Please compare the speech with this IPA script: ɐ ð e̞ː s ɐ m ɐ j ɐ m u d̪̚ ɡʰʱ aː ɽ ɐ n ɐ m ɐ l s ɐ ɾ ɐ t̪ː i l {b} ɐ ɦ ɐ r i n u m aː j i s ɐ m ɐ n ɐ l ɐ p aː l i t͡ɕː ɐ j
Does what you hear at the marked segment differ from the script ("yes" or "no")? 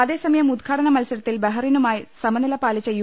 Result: no